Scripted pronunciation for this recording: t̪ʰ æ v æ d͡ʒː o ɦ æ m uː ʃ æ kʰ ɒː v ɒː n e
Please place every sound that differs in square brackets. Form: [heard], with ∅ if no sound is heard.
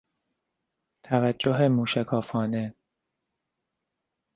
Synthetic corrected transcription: t̪ʰ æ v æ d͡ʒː o ɦ [e] m uː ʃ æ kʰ ɒː [f] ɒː n e

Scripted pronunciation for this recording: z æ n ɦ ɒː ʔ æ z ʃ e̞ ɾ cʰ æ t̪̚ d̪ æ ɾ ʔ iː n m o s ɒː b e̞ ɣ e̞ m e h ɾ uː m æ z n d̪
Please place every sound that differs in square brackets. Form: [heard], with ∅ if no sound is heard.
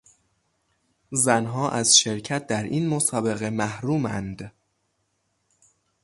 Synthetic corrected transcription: z æ n ɦ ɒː ʔ æ z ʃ e̞ ɾ cʰ æ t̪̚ d̪ æ ɾ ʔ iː n m o s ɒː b e̞ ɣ e̞ m [æ] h ɾ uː m æ [∅] n d̪

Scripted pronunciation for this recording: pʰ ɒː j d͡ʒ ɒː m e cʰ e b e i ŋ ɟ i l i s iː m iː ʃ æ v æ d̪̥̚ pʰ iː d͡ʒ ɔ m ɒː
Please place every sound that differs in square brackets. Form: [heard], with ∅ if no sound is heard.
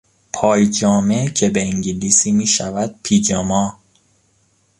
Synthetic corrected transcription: pʰ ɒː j d͡ʒ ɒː m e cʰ e b e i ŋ ɟ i l i s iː m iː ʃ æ v æ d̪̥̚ pʰ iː d͡ʒ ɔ m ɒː

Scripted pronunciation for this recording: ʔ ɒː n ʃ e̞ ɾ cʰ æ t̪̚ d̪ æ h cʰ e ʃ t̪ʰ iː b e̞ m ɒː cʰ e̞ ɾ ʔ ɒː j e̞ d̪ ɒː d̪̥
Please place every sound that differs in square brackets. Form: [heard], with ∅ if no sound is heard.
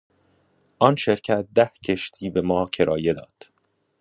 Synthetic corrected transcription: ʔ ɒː n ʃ e̞ ɾ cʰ æ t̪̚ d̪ æ h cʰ e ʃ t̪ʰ iː b e̞ m ɒː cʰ e̞ ɾ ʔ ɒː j e̞ d̪ ɒː d̪̥

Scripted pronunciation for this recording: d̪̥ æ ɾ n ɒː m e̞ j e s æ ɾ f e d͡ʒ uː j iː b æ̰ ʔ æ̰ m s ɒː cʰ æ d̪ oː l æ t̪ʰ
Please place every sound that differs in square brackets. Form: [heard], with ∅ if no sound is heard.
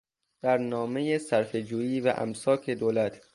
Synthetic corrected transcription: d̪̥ æ ɾ n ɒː m e̞ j e s æ ɾ f e d͡ʒ uː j iː [v] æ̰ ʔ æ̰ m s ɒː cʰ [e] d̪ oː l æ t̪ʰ

